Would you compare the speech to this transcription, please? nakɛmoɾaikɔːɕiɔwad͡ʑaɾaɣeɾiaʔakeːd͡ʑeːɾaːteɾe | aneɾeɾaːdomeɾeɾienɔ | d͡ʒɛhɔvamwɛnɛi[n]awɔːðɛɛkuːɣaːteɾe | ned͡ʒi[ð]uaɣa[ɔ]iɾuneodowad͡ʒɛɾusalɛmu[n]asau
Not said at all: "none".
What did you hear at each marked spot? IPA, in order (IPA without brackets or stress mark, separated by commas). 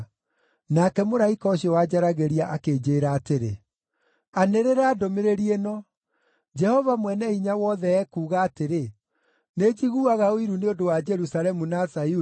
ɲ, ɣ, o, n